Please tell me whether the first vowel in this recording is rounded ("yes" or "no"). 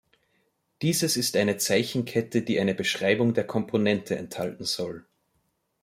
no